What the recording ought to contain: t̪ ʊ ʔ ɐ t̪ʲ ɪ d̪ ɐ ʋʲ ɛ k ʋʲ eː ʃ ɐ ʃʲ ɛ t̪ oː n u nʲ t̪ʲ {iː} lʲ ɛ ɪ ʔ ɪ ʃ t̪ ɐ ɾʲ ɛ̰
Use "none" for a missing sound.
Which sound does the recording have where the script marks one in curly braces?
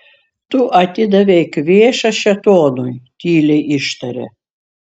iː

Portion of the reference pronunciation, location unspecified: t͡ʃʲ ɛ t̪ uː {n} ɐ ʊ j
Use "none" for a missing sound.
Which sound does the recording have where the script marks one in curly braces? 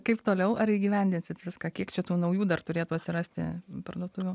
n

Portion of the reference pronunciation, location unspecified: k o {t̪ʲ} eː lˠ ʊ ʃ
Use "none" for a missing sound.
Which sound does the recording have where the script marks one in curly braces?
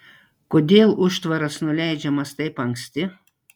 d̪ʲ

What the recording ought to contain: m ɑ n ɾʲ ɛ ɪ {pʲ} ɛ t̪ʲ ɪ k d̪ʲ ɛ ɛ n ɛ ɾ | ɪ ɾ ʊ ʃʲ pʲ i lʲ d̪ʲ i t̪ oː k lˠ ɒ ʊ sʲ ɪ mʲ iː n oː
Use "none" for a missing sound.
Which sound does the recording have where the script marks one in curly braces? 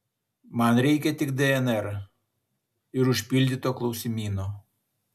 kʲ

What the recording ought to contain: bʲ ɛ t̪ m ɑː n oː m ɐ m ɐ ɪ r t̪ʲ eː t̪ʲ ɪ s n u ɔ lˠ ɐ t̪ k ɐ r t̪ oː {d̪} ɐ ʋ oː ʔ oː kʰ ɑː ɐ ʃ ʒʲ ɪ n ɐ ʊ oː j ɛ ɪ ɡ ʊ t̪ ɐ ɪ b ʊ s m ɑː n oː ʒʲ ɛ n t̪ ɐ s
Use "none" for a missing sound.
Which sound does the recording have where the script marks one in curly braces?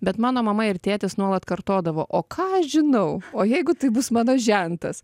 d̪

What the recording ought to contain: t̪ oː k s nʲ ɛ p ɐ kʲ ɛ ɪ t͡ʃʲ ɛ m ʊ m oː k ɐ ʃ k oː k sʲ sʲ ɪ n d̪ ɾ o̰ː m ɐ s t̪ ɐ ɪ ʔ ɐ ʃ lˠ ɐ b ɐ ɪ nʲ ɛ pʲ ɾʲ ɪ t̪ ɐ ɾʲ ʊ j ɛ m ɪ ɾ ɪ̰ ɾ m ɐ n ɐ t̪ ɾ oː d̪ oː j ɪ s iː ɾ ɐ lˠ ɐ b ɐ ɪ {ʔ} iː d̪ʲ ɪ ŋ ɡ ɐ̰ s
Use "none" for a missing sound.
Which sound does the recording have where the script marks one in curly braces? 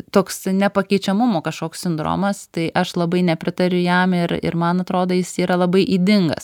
ʔ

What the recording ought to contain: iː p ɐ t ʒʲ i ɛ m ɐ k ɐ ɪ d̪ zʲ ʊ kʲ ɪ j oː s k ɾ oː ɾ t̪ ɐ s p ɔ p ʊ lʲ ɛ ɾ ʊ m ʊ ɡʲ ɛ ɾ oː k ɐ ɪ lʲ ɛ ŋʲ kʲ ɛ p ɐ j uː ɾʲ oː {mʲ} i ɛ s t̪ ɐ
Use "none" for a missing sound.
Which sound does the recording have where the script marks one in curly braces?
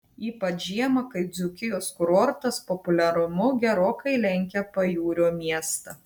mʲ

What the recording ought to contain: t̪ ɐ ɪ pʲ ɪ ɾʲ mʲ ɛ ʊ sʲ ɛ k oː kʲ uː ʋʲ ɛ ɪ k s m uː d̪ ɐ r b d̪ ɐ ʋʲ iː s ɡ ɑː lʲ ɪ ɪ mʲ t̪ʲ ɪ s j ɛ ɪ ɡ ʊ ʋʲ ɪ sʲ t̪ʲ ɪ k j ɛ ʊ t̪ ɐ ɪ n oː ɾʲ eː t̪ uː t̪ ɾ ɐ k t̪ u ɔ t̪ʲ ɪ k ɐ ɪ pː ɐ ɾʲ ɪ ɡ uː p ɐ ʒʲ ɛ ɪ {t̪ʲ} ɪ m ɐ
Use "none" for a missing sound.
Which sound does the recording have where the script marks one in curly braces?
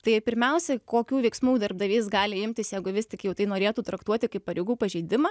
d̪ʲ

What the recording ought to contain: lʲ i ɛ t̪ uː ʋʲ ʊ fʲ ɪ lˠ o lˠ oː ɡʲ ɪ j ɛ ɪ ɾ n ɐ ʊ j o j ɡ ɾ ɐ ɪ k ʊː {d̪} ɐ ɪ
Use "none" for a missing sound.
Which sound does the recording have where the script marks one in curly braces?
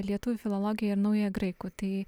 t̪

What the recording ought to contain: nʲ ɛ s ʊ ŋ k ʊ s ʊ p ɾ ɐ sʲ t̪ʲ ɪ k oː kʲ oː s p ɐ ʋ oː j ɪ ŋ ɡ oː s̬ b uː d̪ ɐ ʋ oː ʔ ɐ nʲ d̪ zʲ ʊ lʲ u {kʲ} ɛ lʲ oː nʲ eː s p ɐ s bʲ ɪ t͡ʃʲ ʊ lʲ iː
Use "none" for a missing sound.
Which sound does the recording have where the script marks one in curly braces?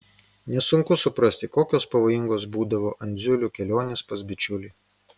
kʲ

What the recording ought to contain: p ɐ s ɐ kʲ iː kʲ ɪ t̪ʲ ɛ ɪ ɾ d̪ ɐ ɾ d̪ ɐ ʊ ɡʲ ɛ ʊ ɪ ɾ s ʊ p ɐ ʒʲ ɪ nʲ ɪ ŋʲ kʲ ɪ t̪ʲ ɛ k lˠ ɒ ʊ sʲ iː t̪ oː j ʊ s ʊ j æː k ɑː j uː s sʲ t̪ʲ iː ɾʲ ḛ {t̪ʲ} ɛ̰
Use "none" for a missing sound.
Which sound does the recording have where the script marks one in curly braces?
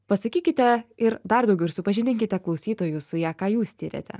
t̪ʲ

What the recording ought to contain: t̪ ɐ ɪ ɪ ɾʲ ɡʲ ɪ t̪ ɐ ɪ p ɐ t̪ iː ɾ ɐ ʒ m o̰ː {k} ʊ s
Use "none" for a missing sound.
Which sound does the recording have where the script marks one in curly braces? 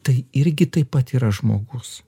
ɡ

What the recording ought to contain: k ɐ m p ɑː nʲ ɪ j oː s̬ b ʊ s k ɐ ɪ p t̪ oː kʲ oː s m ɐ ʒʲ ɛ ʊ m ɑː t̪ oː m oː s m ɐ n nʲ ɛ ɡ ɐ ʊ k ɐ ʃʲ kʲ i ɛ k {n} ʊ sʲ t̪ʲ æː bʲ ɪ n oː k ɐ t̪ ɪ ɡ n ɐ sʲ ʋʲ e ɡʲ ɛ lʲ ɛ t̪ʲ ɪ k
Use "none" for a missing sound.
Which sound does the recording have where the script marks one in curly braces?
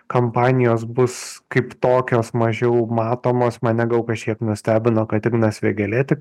n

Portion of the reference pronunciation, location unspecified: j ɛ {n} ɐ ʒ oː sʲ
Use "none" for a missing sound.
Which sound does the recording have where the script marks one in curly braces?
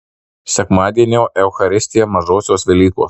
m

